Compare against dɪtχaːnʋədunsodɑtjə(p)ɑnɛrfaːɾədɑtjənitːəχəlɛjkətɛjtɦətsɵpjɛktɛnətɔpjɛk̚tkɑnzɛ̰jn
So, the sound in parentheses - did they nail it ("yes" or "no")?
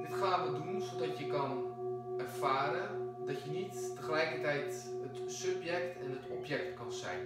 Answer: no